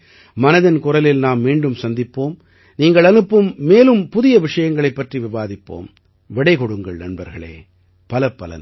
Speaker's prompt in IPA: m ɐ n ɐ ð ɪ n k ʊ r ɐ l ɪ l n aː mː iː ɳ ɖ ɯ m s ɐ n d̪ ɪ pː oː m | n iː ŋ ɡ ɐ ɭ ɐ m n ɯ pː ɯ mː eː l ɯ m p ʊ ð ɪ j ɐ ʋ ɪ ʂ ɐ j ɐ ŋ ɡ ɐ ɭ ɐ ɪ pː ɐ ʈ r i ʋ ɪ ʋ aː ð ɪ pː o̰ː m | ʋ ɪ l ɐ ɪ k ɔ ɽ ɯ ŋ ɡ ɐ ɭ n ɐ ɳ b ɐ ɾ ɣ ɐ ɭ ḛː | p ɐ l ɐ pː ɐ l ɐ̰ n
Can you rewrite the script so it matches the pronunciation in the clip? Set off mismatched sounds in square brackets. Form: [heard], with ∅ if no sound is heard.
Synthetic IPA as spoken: m ɐ n ɐ ð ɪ n k ʊ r ɐ l ɪ l n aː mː iː ɳ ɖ ɯ m s ɐ n d̪ ɪ pː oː m | n iː ŋ ɡ ɐ ɭ ɐ [∅] n ɯ pː ɯ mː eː l ɯ m p ʊ ð ɪ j ɐ ʋ ɪ ʂ ɐ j ɐ ŋ ɡ ɐ ɭ ɐ ɪ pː ɐ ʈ r i ʋ ɪ ʋ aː ð ɪ pː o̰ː m | ʋ ɪ [ɽ] ɐ ɪ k ɔ ɽ ɯ ŋ ɡ ɐ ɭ n ɐ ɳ b ɐ ɾ ɣ ɐ ɭ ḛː | p ɐ l ɐ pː ɐ l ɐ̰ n